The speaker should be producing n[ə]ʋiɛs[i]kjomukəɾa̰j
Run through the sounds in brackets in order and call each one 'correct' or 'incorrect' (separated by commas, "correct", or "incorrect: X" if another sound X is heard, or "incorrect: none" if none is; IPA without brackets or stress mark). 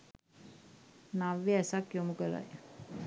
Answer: incorrect: a, incorrect: a